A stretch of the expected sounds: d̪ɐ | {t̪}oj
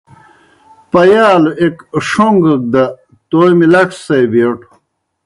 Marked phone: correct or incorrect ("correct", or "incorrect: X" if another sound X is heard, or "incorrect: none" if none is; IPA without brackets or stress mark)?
correct